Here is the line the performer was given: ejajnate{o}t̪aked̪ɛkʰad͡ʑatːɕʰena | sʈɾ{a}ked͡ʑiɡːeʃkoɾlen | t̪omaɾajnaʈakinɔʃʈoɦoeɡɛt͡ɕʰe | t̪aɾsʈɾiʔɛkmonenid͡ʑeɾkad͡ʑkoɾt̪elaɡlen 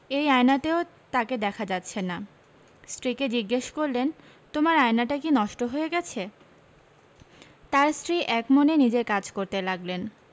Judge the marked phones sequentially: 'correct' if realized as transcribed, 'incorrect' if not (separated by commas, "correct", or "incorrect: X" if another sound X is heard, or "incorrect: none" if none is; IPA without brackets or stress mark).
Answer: correct, incorrect: i